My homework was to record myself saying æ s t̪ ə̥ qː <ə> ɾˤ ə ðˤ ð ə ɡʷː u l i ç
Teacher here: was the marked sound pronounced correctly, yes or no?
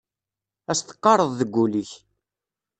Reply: no